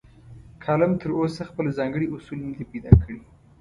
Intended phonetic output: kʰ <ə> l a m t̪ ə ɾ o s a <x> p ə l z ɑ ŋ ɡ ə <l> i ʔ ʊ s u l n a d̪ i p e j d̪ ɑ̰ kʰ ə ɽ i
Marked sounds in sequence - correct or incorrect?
incorrect: ɑ, correct, incorrect: ɽ

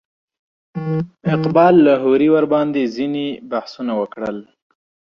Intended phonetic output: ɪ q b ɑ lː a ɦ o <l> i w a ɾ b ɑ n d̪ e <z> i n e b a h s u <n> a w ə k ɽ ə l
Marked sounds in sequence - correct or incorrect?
incorrect: ɾ, correct, correct

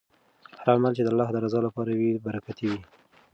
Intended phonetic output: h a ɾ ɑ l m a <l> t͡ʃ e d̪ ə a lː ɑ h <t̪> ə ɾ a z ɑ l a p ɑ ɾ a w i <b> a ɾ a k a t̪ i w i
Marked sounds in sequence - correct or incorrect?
correct, incorrect: d̪, correct

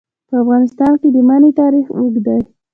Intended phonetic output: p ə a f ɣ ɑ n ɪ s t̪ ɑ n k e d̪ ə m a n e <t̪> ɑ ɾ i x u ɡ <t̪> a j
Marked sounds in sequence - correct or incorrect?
correct, incorrect: d̪

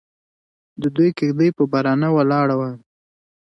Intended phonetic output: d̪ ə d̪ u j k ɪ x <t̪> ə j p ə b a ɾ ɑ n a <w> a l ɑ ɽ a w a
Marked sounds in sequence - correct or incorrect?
incorrect: d̪, correct

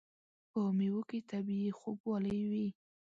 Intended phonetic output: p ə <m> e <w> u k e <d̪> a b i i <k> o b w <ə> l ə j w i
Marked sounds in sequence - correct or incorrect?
correct, correct, incorrect: t̪, incorrect: x, incorrect: ɑ

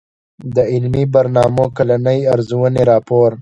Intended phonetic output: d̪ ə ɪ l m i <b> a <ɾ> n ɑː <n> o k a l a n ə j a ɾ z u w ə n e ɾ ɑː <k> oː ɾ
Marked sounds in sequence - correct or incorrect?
correct, correct, incorrect: m, incorrect: p

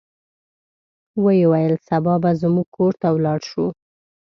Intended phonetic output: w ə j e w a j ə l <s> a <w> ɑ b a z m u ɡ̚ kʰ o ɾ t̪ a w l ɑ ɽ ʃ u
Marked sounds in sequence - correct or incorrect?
correct, incorrect: b

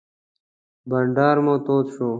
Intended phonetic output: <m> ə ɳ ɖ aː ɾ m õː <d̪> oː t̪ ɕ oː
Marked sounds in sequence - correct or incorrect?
incorrect: b, incorrect: t̪

